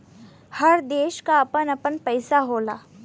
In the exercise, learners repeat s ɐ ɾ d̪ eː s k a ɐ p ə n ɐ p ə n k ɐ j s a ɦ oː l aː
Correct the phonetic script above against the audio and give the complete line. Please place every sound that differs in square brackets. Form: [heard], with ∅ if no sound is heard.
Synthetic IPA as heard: [h] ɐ ɾ d̪ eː [ʃ] k a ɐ p ə n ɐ p ə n [p] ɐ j s a ɦ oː l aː